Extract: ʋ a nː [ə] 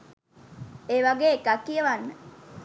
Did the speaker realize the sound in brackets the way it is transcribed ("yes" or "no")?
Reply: yes